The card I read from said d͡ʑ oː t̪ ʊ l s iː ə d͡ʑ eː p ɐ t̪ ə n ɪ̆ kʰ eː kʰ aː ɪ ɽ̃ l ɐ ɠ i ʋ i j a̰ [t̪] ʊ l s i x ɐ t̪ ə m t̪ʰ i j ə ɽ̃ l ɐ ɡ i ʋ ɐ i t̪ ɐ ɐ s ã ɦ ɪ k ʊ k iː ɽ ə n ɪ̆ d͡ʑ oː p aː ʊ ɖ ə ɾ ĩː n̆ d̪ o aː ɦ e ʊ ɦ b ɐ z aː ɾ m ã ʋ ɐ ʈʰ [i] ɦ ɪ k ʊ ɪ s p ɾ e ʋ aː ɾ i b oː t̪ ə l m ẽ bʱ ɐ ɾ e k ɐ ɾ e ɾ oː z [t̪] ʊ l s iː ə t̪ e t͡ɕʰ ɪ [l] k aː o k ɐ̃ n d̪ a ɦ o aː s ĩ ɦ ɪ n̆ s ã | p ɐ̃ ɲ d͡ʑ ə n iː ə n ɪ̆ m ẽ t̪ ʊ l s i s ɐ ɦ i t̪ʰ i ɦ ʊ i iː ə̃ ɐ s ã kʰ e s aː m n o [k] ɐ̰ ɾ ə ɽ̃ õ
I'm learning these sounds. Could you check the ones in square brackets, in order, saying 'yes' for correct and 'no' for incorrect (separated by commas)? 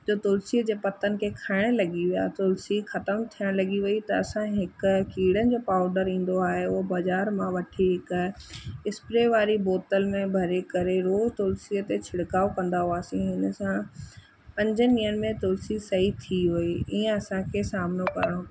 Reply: yes, yes, yes, no, yes